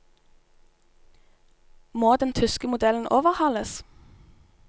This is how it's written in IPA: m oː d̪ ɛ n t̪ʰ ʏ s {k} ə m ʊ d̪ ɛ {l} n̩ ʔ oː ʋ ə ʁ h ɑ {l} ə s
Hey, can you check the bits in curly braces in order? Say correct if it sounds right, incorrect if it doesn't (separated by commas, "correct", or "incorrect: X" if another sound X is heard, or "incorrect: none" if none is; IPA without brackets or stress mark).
correct, correct, correct